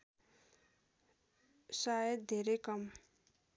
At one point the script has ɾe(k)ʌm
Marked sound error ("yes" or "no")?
no